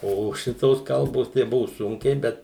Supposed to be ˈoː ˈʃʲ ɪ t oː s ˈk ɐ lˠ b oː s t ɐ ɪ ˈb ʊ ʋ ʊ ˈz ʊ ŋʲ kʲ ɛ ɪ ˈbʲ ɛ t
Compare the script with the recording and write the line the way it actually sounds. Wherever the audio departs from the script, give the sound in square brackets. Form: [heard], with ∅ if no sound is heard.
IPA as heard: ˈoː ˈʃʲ ɪ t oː s ˈk ɐ lˠ b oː s t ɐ ɪ ˈb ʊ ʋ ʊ [ˈs] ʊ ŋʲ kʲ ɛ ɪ ˈbʲ ɛ t